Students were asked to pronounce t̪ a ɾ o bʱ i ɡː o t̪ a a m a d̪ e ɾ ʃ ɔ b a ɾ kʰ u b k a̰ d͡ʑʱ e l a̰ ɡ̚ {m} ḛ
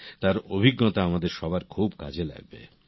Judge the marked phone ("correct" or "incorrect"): incorrect